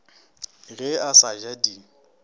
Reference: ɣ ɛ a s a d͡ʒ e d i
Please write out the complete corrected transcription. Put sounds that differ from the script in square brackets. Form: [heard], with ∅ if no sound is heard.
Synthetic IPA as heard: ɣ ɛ a s a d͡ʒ [a] d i